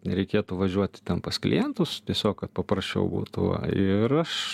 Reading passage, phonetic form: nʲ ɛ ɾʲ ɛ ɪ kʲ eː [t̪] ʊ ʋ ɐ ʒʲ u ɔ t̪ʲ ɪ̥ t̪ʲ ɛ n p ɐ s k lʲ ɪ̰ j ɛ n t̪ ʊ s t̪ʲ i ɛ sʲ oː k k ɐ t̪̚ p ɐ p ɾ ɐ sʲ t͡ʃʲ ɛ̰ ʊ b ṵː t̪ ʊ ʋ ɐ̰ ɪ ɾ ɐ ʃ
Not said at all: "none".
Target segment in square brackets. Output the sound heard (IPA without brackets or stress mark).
t̪